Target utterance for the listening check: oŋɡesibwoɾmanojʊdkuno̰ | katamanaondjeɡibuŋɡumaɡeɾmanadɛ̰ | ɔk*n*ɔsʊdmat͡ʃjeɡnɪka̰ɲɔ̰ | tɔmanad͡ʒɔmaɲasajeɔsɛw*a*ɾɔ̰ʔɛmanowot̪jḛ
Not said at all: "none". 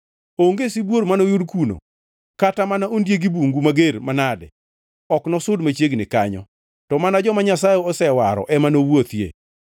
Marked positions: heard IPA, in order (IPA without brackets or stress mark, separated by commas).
n, a